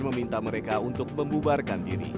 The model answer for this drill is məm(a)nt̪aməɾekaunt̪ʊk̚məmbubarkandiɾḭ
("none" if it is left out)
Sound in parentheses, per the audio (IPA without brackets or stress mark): i